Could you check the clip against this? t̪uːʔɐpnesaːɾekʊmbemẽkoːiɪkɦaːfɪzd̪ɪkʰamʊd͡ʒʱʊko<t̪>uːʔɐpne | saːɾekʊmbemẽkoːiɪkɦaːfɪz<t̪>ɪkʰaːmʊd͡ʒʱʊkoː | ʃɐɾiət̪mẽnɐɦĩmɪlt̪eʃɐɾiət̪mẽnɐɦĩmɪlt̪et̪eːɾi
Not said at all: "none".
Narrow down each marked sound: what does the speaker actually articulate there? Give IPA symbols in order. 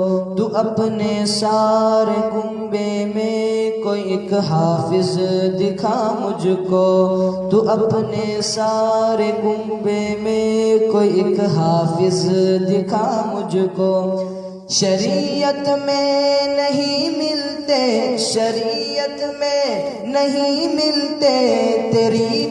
t̪, d̪

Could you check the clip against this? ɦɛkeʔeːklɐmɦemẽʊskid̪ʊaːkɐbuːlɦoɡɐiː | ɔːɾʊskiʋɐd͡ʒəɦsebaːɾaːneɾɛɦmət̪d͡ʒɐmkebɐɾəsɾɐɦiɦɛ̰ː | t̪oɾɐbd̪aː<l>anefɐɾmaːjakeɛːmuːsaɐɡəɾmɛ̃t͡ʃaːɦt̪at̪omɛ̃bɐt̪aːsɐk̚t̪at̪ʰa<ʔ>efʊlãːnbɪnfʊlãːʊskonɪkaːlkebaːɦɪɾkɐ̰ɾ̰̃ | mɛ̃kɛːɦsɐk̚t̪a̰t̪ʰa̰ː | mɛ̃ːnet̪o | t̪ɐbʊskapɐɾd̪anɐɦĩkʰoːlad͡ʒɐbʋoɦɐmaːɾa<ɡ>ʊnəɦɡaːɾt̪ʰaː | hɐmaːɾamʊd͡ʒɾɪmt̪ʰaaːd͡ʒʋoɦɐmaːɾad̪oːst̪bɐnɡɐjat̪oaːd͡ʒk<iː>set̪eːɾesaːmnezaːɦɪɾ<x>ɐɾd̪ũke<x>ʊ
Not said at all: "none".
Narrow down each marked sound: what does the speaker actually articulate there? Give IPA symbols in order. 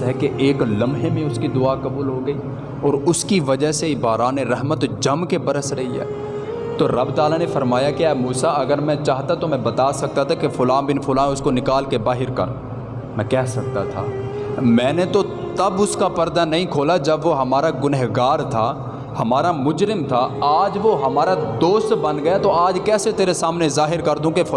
l, k, ɡ, ɛː, k, f

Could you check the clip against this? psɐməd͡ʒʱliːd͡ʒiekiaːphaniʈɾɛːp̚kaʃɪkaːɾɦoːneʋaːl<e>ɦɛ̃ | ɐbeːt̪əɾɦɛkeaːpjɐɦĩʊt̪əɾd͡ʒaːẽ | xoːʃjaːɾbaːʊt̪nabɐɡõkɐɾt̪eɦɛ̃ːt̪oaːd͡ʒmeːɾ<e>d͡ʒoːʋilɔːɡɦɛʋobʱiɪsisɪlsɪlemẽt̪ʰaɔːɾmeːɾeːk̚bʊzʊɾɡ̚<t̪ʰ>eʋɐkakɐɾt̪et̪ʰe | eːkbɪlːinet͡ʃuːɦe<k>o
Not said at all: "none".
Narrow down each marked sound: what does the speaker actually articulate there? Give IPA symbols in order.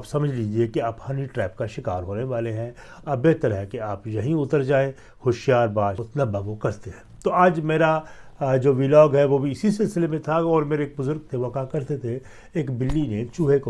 e, a, t̪ʰ, k

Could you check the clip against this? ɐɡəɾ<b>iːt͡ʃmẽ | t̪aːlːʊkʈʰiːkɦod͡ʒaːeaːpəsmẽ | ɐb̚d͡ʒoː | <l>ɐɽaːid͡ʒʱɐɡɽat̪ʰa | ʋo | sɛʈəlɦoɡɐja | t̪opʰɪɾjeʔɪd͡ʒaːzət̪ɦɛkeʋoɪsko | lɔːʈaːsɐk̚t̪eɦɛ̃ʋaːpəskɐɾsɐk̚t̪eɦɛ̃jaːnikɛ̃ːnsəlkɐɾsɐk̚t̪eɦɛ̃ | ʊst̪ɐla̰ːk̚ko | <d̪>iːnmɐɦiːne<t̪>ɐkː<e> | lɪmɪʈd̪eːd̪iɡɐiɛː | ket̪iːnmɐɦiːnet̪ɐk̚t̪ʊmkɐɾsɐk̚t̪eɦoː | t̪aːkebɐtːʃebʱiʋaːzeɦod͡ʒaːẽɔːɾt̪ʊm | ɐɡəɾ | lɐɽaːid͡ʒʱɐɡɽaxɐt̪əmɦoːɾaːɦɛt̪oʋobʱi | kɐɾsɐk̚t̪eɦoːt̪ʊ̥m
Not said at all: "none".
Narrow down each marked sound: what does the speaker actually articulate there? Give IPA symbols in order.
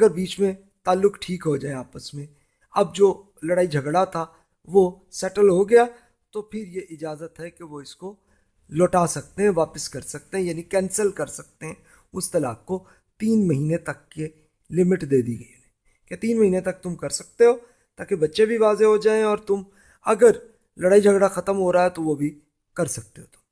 b, l, t̪, t̪, e

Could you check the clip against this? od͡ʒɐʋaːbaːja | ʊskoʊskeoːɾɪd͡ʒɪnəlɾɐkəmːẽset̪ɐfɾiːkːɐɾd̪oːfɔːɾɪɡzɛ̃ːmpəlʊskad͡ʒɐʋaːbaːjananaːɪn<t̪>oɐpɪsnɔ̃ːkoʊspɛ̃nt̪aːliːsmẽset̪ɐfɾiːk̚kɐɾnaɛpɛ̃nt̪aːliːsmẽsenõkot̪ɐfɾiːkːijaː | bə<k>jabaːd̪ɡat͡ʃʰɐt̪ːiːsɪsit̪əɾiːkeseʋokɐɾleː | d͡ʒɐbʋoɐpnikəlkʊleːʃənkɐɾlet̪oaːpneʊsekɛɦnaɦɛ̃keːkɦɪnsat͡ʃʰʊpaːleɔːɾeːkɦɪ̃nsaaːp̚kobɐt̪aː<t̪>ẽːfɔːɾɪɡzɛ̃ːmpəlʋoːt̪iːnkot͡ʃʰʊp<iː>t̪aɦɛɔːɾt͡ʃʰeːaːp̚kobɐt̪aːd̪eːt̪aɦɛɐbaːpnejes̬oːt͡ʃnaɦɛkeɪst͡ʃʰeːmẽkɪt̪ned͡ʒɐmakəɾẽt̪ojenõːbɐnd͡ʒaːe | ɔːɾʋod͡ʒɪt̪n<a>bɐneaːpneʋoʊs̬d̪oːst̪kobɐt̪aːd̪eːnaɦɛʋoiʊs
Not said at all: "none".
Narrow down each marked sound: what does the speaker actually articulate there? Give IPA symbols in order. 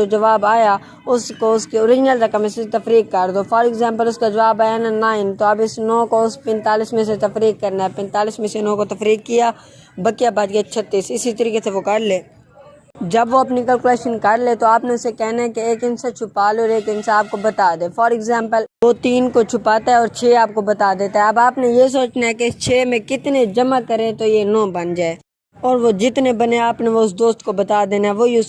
t̪, k, d̪, aː, e

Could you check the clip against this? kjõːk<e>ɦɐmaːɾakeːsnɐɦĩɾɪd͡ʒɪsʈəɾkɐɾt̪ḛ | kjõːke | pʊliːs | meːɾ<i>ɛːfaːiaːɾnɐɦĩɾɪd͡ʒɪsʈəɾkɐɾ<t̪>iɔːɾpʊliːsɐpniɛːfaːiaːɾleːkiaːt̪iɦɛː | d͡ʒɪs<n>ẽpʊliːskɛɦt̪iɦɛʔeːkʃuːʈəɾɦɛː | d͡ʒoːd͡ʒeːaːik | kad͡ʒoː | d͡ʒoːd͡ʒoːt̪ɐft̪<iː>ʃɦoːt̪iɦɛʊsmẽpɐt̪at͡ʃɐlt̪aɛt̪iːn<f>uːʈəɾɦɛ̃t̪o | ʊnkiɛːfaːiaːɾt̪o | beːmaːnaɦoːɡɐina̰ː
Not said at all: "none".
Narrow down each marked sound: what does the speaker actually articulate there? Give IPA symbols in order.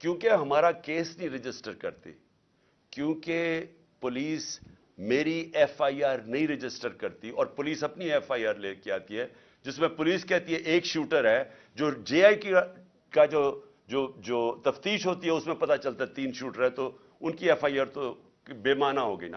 e, i, t̪, m, iː, ʃ

